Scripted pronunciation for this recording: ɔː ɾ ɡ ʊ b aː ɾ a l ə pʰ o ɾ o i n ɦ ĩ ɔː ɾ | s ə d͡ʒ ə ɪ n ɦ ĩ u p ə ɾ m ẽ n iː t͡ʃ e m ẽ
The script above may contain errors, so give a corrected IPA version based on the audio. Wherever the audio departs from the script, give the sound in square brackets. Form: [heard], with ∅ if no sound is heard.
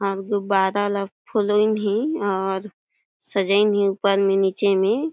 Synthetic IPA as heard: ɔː ɾ ɡ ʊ b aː ɾ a l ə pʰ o [l] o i n ɦ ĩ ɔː ɾ | s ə d͡ʒ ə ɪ n ɦ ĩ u p ə ɾ m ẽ n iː t͡ʃ e m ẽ